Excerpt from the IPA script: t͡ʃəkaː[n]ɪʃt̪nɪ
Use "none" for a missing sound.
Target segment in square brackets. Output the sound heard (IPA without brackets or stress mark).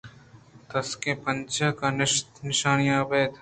n